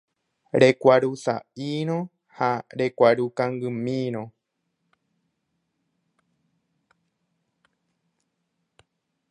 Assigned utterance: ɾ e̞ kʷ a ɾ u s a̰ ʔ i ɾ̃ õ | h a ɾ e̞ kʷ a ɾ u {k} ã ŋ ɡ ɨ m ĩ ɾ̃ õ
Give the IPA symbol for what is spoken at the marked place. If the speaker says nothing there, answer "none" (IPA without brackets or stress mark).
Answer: k